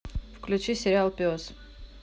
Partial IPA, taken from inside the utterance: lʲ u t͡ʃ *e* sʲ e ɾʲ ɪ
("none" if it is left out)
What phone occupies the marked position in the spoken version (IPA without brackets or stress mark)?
i